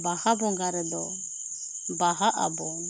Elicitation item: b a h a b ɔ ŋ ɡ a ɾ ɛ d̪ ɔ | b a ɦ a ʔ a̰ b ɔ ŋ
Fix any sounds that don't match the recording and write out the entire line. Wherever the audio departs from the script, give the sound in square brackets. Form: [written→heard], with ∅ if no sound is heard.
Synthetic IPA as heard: b a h a b ɔ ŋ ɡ a ɾ ɛ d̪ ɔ | b a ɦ a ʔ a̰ b ɔ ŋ